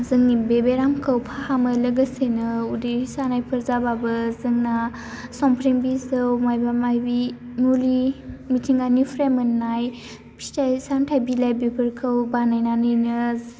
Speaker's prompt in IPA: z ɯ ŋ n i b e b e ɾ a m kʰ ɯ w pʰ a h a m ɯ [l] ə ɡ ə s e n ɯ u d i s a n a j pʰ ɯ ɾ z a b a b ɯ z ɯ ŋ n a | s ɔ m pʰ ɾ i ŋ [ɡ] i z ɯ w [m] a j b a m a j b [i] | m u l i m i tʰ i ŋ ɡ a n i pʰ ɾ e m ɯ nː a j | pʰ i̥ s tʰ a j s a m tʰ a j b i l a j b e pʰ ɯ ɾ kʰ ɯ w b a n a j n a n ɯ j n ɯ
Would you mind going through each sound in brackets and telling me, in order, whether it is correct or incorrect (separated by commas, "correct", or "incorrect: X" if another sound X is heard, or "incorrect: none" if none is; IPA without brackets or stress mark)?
correct, incorrect: b, correct, correct